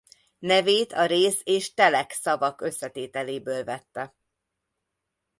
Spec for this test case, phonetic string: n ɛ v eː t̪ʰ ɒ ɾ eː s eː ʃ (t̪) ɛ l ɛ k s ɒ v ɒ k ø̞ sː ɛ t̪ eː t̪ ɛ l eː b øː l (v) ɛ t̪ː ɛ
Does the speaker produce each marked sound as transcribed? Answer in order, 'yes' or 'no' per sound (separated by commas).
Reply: yes, yes